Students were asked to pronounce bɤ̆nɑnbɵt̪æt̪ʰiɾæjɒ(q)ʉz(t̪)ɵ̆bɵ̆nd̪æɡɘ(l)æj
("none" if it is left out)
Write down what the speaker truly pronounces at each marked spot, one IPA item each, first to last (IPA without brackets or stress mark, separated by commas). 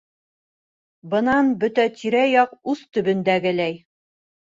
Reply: q, t̪, l